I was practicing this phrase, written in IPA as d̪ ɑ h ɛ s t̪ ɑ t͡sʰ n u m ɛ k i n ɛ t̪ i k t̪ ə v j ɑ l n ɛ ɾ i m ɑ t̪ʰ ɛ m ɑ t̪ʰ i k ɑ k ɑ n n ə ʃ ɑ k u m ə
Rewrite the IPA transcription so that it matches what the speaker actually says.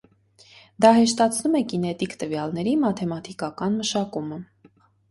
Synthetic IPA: d̪ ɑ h ɛ ʃ t̪ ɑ t͡sʰ n u m ɛ k i n ɛ t̪ i k t̪ ə v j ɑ l n ɛ ɾ i m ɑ t̪ʰ ɛ m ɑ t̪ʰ i k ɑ k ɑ n m ə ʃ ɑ k u m ə